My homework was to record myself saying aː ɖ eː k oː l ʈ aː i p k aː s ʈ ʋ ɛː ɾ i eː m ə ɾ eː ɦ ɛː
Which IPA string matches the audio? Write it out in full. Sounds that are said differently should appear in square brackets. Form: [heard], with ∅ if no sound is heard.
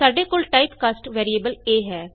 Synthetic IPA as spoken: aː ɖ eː k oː l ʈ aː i p k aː s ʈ ʋ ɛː ɾ i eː [b] ə [l] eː ɦ ɛː